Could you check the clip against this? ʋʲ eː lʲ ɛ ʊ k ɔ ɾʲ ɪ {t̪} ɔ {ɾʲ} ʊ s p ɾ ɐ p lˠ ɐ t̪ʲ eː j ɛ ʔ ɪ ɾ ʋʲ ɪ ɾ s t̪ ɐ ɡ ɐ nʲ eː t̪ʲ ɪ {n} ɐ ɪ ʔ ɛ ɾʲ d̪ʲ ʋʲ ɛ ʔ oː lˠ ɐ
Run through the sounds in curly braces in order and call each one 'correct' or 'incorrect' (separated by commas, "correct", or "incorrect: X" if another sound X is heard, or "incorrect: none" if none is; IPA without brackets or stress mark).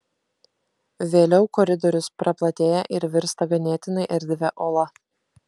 incorrect: d̪, correct, correct